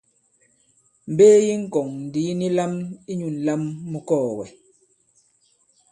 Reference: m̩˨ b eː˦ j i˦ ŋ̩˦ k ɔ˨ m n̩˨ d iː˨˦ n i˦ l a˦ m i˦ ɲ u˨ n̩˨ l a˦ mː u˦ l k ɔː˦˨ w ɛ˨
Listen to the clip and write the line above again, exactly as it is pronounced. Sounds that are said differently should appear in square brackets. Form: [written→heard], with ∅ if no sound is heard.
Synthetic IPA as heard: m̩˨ b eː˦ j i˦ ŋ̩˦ k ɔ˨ [m→ŋ] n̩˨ d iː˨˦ n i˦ l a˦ m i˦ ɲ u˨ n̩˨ l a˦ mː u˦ [l→∅] k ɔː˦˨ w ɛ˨